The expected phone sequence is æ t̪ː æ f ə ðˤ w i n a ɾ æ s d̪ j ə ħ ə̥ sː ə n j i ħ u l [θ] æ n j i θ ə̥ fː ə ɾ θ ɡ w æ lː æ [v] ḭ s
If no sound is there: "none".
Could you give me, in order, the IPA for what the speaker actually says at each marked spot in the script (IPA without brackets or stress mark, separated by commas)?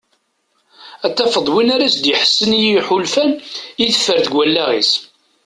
f, ʁ